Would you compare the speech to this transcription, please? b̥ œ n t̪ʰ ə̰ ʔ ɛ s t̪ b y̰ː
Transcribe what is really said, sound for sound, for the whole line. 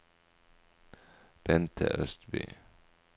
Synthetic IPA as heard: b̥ ɛ n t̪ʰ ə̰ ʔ œ s t̪ b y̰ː